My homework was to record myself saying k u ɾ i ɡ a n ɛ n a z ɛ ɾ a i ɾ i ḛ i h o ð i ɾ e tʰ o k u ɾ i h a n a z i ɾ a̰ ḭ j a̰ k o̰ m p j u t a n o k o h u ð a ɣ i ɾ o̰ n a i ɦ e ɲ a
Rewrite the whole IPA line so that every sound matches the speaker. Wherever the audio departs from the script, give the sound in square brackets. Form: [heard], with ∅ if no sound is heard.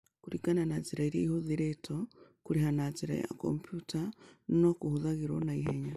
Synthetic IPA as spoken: k u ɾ i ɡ a n [a] n a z [i] ɾ a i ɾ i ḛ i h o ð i ɾ e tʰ o k u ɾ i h a n a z i ɾ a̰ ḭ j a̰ k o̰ m p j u t a n o k [u] h u ð a ɣ i ɾ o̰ n a i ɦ e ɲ a